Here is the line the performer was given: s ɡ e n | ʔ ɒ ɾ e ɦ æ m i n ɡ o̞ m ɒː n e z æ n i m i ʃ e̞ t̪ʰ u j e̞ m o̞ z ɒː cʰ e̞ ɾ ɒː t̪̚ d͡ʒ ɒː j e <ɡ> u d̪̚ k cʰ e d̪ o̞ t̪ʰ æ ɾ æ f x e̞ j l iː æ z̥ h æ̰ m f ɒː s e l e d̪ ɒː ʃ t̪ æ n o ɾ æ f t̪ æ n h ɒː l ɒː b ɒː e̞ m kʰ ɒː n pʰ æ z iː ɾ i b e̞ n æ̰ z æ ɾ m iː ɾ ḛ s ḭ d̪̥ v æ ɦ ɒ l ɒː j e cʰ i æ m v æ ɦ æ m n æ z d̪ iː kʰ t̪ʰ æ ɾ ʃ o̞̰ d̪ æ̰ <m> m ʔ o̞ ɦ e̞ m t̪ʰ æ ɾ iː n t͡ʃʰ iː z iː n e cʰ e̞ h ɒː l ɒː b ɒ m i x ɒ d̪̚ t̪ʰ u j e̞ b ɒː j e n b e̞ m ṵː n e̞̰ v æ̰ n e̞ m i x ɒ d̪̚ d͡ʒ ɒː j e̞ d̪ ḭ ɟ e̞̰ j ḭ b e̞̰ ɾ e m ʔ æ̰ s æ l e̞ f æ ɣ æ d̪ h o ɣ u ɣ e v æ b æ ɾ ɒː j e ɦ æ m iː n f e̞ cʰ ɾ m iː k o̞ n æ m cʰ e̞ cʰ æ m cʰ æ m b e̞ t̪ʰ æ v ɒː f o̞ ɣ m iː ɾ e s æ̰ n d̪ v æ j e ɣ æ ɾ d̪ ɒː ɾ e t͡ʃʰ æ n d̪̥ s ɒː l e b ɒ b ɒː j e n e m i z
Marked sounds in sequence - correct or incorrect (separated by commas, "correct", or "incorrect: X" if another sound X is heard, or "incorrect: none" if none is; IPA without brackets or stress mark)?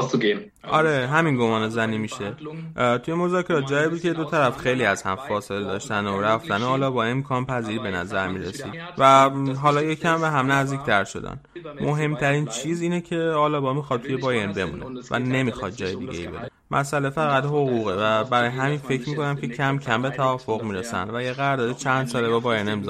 incorrect: b, incorrect: n